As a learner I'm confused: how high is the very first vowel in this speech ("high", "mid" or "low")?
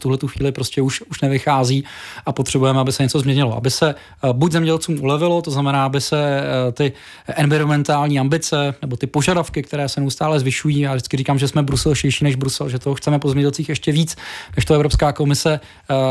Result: high